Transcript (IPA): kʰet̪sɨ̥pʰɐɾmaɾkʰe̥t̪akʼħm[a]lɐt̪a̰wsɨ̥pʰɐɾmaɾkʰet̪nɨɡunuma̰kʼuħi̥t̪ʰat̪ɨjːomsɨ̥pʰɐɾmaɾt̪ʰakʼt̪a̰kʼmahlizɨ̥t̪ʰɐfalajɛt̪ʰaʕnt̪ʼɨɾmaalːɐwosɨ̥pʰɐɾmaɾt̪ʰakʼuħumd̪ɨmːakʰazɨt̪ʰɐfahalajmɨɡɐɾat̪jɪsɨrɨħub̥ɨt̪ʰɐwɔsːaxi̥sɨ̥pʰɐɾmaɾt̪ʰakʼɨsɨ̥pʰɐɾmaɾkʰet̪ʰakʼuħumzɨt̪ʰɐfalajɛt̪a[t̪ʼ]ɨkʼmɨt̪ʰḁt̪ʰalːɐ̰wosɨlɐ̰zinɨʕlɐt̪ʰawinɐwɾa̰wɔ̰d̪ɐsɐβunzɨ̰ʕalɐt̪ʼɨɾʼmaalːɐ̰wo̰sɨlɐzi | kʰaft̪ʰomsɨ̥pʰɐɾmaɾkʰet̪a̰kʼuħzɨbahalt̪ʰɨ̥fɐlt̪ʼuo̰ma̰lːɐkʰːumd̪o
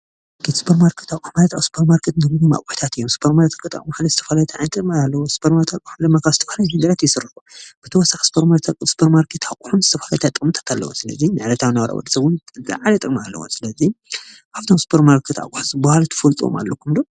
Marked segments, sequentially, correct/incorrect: correct, correct

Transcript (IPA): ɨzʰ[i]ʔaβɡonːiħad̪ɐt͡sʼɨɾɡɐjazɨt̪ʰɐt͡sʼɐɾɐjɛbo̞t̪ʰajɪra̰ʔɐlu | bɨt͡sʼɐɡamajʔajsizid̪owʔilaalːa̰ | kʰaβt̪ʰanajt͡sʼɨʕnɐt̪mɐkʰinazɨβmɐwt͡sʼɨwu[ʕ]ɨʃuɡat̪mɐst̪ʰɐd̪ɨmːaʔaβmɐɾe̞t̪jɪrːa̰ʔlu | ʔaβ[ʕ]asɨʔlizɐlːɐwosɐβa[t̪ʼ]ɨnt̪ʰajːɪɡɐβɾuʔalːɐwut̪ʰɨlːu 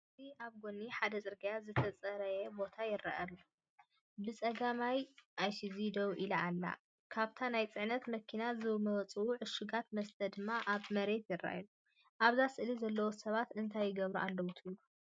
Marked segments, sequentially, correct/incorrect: correct, correct, incorrect: z, incorrect: t̪

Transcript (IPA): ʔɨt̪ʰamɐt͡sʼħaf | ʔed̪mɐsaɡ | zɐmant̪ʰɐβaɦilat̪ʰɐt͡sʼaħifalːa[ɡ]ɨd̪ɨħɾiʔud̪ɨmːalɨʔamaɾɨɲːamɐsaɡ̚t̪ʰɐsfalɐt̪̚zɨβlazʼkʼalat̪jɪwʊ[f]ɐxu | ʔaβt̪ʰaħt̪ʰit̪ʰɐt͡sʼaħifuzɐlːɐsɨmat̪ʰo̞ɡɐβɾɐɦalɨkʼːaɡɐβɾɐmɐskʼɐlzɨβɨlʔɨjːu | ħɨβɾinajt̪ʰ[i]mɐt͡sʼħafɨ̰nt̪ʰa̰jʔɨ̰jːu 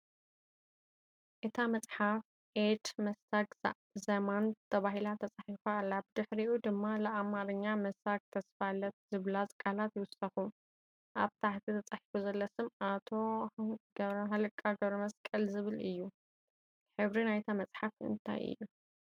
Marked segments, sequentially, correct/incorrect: incorrect: b, incorrect: s, incorrect: a

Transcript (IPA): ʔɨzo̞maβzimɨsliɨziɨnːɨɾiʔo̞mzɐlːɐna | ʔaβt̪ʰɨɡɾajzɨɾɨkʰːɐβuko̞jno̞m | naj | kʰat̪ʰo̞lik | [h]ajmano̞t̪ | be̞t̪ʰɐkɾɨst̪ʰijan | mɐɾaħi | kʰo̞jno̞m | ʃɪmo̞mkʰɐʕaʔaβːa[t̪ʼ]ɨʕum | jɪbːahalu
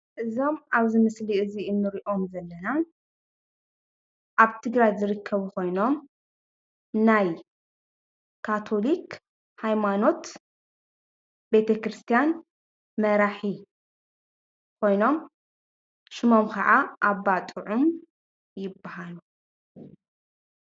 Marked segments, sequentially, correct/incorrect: correct, correct

